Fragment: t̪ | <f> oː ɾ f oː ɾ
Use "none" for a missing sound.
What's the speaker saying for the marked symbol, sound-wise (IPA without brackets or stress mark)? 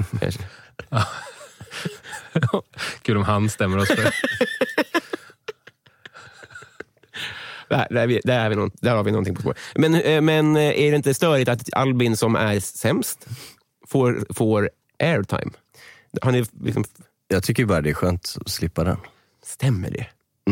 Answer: f